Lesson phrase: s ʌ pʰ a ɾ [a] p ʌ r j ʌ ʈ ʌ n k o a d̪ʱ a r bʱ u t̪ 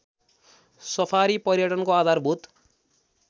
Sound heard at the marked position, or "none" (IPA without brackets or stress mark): i